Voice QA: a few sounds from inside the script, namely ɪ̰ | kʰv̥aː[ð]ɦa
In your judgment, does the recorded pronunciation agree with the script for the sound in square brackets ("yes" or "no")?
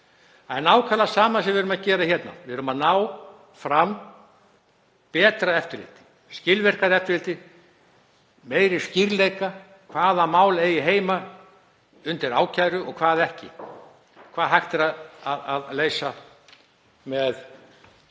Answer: yes